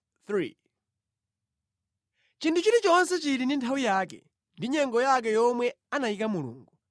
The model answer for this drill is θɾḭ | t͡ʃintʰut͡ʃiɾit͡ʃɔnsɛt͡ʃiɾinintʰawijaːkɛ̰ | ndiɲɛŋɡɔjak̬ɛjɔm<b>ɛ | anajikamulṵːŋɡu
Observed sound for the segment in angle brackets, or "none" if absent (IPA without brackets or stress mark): w